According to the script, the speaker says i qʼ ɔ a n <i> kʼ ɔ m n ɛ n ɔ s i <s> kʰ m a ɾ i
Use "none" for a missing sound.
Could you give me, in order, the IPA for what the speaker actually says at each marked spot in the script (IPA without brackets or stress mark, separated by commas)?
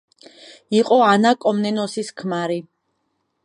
a, s